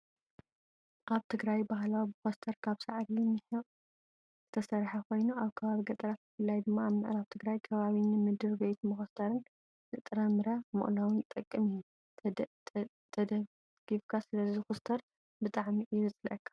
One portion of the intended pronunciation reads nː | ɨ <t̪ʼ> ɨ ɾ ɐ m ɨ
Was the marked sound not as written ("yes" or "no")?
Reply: no